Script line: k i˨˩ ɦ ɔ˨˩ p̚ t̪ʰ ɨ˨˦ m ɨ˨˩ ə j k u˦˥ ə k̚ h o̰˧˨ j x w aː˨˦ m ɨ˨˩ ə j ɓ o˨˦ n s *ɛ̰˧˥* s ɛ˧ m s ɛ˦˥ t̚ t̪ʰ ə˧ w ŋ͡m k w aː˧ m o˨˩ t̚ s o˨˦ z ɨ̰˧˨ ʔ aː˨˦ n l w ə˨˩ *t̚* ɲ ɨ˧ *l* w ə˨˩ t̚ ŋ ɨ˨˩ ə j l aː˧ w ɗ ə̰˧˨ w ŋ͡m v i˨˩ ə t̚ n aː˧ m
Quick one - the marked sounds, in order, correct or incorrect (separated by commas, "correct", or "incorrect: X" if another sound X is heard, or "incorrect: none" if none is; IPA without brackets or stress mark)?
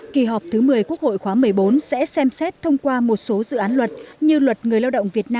correct, correct, correct